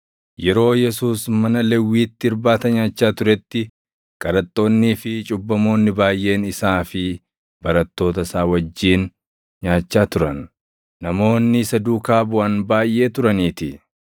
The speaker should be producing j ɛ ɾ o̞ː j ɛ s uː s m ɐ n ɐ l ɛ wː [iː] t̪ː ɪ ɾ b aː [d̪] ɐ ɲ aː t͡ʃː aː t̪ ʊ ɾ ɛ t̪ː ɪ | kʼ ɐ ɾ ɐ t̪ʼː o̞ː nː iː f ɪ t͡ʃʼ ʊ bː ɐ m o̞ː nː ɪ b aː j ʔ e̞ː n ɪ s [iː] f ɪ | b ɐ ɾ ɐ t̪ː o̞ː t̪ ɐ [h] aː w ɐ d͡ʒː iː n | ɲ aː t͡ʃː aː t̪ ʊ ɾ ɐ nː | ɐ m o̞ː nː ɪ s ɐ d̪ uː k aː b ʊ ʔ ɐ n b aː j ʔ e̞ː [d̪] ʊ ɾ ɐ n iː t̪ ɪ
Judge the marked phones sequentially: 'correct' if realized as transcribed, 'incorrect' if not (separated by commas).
correct, incorrect, incorrect, incorrect, incorrect